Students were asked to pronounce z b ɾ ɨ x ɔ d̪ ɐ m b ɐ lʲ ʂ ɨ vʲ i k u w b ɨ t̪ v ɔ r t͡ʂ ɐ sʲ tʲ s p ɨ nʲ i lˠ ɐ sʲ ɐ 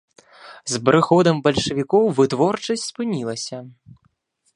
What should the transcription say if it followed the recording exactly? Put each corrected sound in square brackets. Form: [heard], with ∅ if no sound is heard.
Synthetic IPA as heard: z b ɾ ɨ x ɔ d̪ ɐ m b ɐ lʲ ʂ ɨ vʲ i k [ɔ] w [v] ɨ t̪ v ɔ r t͡ʂ ɐ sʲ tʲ s p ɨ nʲ i lˠ ɐ sʲ ɐ